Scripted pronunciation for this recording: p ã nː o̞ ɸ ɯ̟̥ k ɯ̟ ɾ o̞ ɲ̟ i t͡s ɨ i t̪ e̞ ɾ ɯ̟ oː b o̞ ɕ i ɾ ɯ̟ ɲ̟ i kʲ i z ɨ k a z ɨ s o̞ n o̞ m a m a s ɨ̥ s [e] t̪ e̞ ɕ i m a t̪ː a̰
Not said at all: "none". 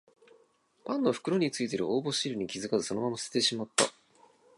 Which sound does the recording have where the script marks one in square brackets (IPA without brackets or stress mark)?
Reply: e